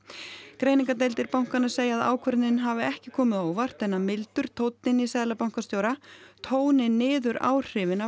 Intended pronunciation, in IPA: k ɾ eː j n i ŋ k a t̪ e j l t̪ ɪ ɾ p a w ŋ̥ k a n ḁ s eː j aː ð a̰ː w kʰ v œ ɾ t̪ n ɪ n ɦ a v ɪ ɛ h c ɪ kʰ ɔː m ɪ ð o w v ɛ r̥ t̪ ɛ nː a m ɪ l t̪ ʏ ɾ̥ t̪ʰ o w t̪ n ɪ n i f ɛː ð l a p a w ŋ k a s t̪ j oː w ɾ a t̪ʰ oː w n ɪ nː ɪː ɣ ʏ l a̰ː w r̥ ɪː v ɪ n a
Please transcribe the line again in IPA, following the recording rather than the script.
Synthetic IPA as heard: k ɾ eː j n i ŋ k a t̪ e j l t̪ ɪ ɾ p a w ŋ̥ k a n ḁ s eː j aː ð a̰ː w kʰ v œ ɾ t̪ n ɪ n ɦ a v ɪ ɛ h c ɪ kʰ ɔː m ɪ ð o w v a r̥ t̪ ɛ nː a m ɪ l t̪ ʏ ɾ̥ t̪ʰ o w t̪ n ɪ n i s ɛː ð l a p a w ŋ k a s t̪ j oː w ɾ a t̪ʰ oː w n ɪ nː ɪː ð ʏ ɾ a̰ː w r̥ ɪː v ɪ n a